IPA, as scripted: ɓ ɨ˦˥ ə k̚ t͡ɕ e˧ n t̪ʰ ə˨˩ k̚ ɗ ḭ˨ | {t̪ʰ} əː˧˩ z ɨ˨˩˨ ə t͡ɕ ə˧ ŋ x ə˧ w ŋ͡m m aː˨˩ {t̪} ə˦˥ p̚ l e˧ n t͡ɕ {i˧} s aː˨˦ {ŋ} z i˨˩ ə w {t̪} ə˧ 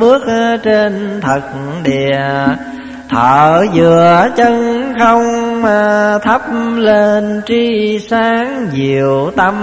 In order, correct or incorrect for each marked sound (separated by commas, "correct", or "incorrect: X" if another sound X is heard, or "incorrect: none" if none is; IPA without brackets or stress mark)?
correct, incorrect: t̪ʰ, correct, correct, correct